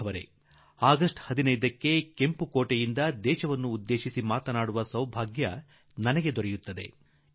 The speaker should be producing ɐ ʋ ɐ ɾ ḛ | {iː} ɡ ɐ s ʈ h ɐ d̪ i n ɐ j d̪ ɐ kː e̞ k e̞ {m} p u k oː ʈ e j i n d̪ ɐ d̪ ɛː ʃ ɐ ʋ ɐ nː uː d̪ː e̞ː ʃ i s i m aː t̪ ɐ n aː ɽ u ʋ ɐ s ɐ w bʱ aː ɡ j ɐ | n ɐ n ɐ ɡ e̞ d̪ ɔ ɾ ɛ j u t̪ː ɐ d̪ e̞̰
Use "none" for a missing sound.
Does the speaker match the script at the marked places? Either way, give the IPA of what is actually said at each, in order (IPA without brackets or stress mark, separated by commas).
aː, m